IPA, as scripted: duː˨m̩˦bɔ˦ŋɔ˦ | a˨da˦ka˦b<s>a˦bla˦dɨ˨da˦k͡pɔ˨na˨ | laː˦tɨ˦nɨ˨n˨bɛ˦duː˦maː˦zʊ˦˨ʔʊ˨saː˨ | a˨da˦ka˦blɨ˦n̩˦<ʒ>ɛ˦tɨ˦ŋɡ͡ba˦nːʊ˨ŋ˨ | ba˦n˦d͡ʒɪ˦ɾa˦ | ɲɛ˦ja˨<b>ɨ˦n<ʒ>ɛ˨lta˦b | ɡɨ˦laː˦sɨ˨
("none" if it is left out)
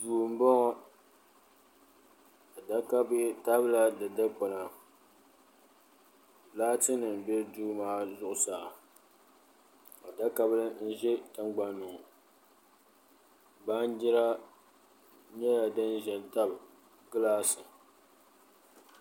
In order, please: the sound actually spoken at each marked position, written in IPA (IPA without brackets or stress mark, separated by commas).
t, ʒ, d, ʒ